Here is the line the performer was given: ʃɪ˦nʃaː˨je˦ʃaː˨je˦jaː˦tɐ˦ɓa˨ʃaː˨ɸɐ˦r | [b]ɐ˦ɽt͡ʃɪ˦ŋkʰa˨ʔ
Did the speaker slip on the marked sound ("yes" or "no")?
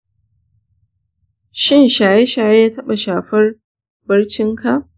no